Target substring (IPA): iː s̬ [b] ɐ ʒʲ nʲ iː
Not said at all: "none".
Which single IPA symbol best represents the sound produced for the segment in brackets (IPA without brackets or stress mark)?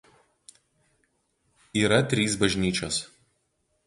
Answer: b